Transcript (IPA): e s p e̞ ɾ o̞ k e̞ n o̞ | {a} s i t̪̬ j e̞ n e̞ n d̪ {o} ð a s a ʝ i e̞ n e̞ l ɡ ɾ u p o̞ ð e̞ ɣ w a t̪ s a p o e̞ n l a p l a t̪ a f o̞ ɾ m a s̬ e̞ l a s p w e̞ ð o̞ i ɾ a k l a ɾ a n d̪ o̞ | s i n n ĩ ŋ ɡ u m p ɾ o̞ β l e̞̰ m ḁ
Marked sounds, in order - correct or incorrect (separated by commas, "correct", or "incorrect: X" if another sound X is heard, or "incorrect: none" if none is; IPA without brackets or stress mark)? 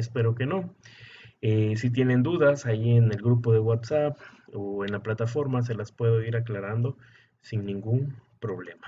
incorrect: e, incorrect: u